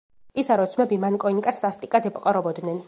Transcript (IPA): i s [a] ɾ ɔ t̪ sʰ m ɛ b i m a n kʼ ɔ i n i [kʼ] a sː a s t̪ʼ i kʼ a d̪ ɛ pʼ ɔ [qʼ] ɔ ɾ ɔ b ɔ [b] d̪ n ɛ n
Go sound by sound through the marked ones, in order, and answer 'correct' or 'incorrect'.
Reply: correct, correct, correct, incorrect

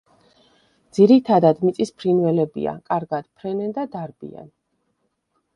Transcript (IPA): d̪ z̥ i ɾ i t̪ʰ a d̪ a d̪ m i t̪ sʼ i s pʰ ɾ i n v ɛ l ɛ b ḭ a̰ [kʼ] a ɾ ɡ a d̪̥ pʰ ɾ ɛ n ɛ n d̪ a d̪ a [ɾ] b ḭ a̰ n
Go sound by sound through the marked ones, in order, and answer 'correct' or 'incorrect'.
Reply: correct, correct

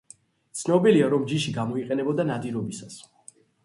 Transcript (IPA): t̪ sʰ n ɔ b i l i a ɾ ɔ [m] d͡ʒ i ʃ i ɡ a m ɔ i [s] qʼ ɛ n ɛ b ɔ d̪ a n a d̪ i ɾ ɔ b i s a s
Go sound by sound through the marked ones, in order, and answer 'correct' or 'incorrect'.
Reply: correct, incorrect

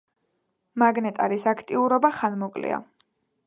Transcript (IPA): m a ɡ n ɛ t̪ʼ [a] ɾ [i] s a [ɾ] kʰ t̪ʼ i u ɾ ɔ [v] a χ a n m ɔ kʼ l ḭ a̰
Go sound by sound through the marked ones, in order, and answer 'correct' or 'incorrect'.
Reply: correct, correct, incorrect, incorrect

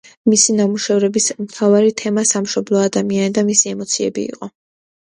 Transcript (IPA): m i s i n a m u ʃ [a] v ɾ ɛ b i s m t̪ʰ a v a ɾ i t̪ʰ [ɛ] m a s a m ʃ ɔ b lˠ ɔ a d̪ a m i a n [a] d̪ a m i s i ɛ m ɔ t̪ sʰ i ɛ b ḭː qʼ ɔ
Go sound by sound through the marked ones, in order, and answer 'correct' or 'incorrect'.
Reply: incorrect, correct, incorrect

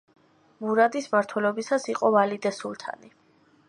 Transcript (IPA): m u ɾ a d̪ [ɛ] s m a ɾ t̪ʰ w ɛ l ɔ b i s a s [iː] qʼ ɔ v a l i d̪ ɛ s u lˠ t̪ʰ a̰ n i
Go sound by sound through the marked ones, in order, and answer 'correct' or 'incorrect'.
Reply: incorrect, incorrect

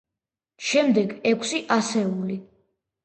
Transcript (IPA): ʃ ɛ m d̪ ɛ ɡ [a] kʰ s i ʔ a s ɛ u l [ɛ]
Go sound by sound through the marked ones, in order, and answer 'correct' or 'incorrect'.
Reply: incorrect, incorrect

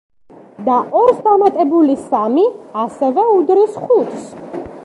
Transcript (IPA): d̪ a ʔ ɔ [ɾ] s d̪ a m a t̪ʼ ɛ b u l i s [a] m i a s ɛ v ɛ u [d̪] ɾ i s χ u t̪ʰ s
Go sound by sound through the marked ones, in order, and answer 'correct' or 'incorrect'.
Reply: correct, correct, correct

